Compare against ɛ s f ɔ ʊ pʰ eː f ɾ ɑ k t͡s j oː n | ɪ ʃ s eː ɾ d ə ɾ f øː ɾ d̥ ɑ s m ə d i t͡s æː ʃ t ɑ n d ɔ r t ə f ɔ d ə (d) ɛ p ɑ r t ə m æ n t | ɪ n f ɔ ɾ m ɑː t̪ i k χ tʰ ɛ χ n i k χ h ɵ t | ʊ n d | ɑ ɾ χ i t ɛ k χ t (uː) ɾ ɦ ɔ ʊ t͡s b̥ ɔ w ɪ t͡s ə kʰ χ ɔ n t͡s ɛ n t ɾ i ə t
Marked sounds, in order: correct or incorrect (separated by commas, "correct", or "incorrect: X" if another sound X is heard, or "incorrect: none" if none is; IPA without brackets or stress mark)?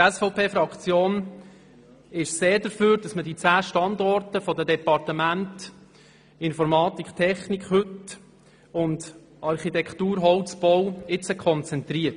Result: correct, correct